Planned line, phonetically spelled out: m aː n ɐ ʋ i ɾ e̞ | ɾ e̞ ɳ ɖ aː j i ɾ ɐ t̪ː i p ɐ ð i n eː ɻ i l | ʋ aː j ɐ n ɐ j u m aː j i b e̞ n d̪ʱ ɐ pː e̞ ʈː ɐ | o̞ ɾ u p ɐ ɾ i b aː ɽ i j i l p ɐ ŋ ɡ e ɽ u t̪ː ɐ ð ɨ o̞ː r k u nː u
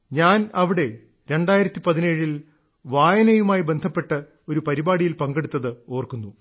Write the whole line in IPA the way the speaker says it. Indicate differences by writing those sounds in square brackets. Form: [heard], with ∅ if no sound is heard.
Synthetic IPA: [ɲ] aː n ɐ ʋ i [ɽ] e̞ | ɾ e̞ ɳ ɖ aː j i ɾ ɐ t̪ː i p ɐ ð i n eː ɻ i l | ʋ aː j ɐ n ɐ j u m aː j i b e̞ n d̪ʱ ɐ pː e̞ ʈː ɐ | o̞ ɾ u p ɐ ɾ i b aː ɽ i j i l p ɐ ŋ ɡ e ɽ u t̪ː ɐ ð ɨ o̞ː r k u nː u